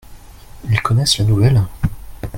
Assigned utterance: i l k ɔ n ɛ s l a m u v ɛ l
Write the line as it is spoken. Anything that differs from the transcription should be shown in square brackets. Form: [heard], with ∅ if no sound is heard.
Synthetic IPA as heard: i l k ɔ n ɛ s l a [n] u v ɛ l